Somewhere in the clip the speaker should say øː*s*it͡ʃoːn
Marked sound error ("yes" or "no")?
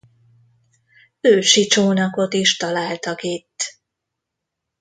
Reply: yes